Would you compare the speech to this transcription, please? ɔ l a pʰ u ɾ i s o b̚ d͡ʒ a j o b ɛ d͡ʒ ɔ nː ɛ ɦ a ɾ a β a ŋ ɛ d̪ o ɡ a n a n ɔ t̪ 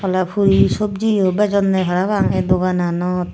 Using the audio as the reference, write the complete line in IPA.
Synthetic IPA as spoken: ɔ l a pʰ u ɾ i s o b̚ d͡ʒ i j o b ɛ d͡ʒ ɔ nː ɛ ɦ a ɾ a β a ŋ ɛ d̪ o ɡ a n a n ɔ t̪